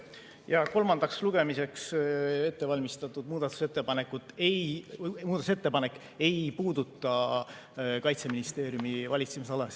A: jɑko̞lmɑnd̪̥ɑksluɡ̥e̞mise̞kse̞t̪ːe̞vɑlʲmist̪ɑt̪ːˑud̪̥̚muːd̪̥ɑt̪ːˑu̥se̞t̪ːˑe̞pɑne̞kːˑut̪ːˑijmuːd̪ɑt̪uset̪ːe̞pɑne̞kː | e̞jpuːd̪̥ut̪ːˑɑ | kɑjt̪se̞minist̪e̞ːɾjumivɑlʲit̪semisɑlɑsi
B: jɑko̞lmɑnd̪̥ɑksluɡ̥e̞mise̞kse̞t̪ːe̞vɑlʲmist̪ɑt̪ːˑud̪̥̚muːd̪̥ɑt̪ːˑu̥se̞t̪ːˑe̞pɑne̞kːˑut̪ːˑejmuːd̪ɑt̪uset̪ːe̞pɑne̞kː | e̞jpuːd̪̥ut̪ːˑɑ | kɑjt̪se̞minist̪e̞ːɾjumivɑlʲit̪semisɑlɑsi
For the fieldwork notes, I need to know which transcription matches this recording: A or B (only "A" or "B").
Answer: B